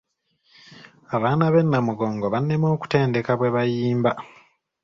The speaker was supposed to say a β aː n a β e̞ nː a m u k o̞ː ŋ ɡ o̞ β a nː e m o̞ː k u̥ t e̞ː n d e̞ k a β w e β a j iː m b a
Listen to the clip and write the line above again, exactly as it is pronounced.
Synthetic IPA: a β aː n a β e̞ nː a m u ɡ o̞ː ŋ ɡ o̞ β a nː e m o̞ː k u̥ t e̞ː n d e̞ k a β w e β a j iː m b a

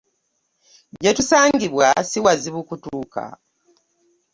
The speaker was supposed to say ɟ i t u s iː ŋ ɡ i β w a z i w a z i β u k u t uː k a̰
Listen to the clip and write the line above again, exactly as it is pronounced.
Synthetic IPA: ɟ e t u s aː ŋ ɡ i β w a s i w a z i β u k u t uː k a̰

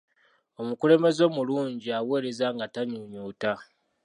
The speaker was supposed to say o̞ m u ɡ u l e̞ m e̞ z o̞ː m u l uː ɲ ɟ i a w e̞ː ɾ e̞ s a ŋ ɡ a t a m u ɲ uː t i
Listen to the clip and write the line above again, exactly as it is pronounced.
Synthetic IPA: o̞ m u k u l e̞ m e̞ z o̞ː m u l uː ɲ ɟ i a w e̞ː ɾ e̞ z a ŋ ɡ a t a ɲ u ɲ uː t a

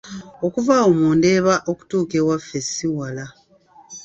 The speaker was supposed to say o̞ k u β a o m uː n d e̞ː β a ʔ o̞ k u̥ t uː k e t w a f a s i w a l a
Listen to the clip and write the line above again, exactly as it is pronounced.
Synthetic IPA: o̞ k u v a o m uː n d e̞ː β a ʔ o̞ k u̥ t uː k e w a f e s i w a l a

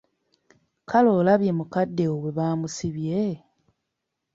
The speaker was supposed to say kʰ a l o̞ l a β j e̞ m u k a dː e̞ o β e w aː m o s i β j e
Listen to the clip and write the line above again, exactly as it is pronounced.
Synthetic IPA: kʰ a l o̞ l a β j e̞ m u k a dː e̞ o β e β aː m u s i β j e

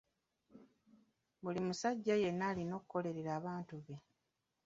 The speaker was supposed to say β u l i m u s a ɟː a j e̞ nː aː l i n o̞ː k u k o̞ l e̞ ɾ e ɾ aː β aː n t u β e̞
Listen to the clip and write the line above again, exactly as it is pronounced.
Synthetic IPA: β u l i m u s a ɟː a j e̞ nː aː l i n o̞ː k u k o̞ l e̞ ɾ e ɾ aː β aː n t u β e̞

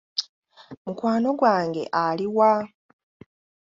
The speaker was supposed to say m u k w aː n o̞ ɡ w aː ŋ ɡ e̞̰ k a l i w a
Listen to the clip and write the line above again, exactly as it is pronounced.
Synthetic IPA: m u k w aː n o̞ ɡ w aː ŋ ɡ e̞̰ ʔ a l i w a

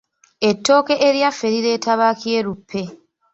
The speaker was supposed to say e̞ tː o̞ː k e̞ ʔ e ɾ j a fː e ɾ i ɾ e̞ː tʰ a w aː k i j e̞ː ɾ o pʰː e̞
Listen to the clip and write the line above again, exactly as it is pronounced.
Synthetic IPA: e̞ tː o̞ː k e̞ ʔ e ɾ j a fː e ɾ i ɾ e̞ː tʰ a β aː k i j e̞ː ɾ u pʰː e̞

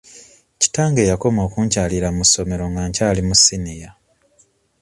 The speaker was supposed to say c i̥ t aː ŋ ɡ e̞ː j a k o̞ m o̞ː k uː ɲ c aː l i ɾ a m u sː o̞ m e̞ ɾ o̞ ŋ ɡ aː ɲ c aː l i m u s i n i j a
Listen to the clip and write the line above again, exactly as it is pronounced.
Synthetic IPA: c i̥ t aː ŋ ɡ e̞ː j a k o̞ m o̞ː k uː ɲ c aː l i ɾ a m u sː o̞ m e̞ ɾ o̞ ŋ ɡ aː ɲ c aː l i m u s i n i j a

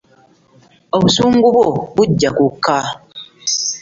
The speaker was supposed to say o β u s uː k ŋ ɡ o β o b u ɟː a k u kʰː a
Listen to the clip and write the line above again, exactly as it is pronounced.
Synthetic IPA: o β u s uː ŋ ɡ u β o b u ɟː a k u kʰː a

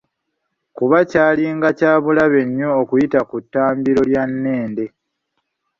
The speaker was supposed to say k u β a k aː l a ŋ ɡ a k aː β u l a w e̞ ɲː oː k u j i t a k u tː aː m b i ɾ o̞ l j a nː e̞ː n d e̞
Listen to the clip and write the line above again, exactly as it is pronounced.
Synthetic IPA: k u β a c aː l i ŋ ɡ a c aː β u l a β e̞ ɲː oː k u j i t a k u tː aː m b i ɾ o̞ l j a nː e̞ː n d e̞

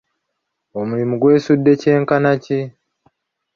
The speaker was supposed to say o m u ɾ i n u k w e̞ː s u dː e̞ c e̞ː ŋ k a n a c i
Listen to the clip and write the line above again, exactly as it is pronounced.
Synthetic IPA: o m u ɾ i m u ɡ w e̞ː s u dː e̞ c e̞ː ŋ k a n a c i

